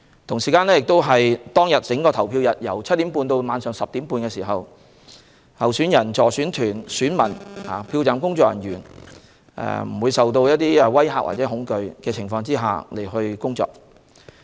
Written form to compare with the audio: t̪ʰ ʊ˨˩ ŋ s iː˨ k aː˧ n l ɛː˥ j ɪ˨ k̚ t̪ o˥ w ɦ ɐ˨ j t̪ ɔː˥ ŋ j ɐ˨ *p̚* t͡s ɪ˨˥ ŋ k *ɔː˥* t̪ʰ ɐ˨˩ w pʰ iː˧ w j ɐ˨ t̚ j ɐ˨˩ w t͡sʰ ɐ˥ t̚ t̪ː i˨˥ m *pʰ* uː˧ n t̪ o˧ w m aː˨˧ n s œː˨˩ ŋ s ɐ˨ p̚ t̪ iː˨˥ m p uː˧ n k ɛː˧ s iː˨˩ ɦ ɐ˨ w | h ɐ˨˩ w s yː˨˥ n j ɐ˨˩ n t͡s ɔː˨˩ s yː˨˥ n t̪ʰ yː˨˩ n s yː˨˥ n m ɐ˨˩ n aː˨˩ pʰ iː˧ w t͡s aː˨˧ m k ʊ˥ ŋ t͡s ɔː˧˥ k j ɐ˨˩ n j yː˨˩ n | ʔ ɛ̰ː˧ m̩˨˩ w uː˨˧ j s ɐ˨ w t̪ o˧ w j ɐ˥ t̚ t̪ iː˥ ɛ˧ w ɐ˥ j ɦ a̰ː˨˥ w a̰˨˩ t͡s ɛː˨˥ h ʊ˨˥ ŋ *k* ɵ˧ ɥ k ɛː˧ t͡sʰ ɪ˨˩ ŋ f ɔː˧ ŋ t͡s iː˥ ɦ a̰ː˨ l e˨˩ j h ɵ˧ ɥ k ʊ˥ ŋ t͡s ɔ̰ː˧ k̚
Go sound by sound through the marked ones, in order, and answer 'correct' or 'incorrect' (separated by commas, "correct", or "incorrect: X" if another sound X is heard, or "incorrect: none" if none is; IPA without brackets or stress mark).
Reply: incorrect: t̚, incorrect: ɔː˧, incorrect: p, correct